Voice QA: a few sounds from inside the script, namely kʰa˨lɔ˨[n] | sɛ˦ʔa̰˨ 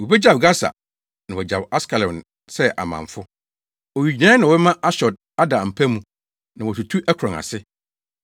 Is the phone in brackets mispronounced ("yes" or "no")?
no